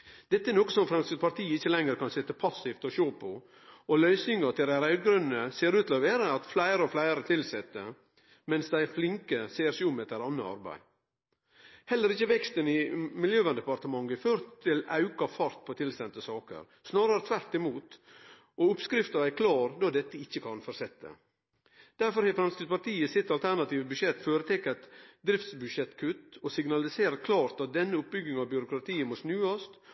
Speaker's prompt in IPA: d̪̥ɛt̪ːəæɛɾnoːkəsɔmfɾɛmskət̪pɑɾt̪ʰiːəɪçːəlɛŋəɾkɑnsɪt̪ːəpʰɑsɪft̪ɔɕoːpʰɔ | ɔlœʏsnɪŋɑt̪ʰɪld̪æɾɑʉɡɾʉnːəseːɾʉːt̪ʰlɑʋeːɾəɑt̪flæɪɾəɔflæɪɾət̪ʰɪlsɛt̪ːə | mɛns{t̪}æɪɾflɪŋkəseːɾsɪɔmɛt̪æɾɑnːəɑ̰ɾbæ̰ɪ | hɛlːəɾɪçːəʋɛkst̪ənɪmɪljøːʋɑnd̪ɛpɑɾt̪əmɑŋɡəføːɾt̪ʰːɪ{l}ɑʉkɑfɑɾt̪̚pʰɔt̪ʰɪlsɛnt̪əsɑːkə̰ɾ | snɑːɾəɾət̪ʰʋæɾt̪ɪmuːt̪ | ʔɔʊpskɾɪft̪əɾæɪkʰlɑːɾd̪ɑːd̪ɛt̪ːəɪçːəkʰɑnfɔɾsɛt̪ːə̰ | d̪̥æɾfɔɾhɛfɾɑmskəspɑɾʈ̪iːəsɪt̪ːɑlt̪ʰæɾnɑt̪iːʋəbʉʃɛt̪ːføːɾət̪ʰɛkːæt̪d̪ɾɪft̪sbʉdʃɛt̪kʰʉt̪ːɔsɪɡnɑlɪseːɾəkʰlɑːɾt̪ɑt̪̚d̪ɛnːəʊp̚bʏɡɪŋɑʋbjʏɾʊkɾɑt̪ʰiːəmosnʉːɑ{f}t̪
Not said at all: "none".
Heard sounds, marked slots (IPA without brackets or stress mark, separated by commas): d̪, l, s